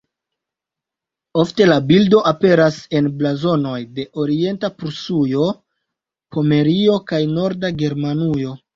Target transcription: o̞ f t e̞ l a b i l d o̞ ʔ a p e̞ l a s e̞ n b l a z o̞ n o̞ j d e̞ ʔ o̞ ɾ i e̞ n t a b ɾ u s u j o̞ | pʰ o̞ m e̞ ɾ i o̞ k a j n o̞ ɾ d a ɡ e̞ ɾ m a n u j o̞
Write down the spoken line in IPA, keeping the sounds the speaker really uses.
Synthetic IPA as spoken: o̞ f t e̞ l a b i l d o̞ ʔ a p e̞ ɾ a s e̞ n b l a z o̞ n o̞ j d e̞ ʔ o̞ ɾ i e̞ n t a p ɾ u s u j o̞ | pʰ o̞ m e̞ ɾ i o̞ k a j n o̞ ɾ d a ɡ e̞ ɾ m a n u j o̞